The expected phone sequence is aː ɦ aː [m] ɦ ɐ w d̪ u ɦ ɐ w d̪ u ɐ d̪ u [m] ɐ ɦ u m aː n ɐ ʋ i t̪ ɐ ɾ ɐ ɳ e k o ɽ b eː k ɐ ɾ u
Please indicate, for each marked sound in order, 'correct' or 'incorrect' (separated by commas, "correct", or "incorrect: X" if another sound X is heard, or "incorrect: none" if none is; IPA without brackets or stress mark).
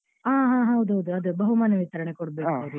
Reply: incorrect: none, incorrect: b